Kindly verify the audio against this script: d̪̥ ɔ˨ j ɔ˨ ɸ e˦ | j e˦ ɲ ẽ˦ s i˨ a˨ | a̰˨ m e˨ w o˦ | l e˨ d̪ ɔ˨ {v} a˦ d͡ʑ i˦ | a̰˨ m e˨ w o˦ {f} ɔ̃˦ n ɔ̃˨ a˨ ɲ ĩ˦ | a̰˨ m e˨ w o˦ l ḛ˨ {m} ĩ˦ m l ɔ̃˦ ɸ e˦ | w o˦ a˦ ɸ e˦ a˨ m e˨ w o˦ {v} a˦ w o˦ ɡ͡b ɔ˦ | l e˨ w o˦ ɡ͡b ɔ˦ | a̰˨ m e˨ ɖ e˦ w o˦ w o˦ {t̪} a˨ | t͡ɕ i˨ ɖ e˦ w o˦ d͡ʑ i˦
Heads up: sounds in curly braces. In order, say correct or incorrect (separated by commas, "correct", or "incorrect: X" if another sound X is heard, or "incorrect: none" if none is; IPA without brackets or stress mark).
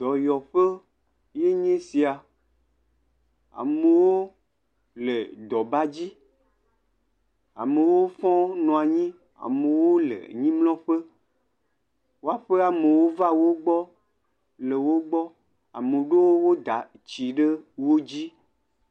incorrect: b, correct, incorrect: ɲ, correct, incorrect: d̪